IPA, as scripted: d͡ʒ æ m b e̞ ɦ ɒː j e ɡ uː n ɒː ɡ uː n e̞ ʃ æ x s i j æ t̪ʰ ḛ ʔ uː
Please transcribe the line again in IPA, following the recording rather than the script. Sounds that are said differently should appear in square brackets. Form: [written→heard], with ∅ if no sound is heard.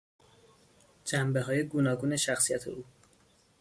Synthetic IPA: d͡ʒ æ m b e̞ ɦ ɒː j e ɡ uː n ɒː ɡ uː n e̞ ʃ æ x s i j æ t̪ʰ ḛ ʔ uː